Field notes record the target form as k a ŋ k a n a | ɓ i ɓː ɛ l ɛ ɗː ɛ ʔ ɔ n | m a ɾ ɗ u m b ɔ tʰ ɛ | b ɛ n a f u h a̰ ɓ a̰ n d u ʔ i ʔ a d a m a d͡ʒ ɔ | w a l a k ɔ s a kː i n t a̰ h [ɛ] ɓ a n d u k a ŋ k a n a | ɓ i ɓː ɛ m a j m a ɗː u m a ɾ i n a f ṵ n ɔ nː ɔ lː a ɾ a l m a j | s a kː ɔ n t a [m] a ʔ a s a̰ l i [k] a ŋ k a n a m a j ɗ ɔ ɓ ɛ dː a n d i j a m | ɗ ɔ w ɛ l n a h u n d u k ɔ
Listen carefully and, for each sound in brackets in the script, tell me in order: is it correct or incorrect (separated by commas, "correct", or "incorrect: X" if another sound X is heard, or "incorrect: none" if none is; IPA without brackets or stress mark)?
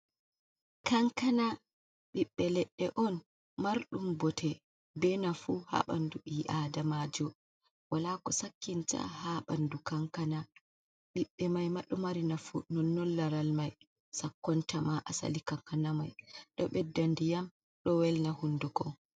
incorrect: a, correct, correct